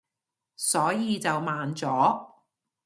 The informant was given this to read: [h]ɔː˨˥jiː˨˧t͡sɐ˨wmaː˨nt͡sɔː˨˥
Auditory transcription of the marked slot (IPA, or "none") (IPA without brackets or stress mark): s